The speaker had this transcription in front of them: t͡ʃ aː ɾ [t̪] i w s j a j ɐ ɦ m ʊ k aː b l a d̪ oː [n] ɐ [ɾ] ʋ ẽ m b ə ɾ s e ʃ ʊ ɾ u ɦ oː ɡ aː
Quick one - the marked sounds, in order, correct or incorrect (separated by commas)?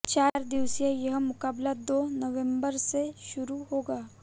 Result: incorrect, correct, incorrect